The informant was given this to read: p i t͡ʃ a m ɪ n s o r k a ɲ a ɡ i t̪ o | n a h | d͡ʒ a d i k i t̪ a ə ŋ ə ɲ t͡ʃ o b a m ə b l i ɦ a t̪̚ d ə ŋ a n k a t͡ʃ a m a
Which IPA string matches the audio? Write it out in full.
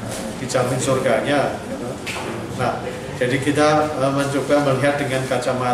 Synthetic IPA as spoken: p i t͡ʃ a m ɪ n s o r ɡ a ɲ a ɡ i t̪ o | n a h | d͡ʒ a d i k i t̪ a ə m ə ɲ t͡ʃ o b a m ə l i ɦ a t̪̚ d ə ŋ a n k a t͡ʃ a m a